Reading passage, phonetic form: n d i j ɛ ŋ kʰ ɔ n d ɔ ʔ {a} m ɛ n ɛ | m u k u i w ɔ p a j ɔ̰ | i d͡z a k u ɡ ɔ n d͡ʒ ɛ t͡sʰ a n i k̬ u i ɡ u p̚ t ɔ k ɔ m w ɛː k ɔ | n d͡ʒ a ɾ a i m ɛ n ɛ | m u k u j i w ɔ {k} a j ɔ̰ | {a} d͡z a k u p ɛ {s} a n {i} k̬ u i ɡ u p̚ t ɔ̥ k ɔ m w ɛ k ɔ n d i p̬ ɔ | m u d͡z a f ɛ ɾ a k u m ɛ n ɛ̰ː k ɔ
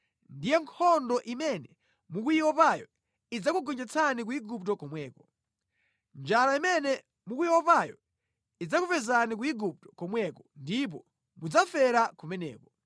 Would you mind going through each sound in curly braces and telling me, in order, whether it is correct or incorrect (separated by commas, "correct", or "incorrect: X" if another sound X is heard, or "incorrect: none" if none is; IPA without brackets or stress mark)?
incorrect: i, incorrect: p, incorrect: i, incorrect: z, correct